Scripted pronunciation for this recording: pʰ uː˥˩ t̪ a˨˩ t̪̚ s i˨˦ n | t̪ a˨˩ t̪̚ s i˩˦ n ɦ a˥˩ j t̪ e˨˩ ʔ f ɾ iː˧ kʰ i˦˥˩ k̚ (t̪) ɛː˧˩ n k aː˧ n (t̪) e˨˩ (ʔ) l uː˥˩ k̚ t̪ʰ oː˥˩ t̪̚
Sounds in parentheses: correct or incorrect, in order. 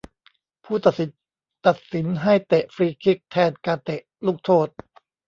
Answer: incorrect: t̪ʰ, correct, correct

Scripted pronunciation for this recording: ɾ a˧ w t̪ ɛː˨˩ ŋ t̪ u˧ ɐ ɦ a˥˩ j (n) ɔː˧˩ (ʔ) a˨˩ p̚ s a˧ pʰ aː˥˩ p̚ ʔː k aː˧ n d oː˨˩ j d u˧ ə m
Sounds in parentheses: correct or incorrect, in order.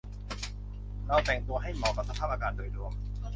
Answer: incorrect: m, incorrect: k

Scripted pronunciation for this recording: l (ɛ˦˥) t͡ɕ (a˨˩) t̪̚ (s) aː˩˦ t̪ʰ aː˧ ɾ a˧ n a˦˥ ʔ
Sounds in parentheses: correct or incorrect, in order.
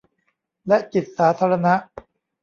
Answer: correct, incorrect: i˨˩, correct

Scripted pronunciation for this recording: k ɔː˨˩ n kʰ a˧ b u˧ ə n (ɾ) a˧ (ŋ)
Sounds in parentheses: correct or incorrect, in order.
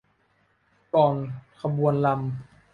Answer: incorrect: l, incorrect: m

